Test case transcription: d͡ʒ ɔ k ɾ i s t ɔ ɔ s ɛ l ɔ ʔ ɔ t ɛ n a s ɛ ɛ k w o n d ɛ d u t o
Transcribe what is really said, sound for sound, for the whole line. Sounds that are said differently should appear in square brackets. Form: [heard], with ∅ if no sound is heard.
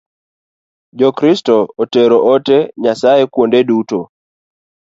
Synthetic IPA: d͡ʒ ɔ k ɾ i s t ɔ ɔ [t] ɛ [ɾ] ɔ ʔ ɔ t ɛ [ɲ] a s [a] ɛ k w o n d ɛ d u t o